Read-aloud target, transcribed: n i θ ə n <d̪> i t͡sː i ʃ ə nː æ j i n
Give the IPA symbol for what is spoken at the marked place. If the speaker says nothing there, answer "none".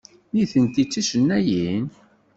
t̪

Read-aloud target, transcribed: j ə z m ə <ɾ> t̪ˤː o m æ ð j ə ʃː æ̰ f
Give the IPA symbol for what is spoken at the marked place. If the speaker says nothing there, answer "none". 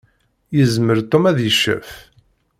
ɾ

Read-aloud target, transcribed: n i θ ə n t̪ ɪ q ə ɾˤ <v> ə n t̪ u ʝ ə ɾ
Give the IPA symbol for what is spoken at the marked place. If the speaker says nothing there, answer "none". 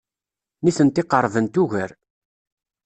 v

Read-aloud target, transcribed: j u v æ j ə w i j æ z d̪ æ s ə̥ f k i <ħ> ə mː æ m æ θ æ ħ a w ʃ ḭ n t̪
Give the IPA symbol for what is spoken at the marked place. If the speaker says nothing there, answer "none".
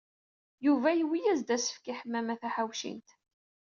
ħ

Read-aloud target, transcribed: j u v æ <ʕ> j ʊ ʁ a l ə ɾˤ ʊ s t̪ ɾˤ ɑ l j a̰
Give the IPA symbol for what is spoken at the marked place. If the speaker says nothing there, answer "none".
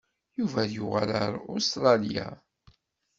ð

